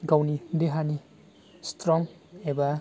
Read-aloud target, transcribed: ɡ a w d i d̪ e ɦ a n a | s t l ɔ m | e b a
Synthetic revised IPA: ɡ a w n i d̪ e ɦ a n i | s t ɾ ɔ ŋ | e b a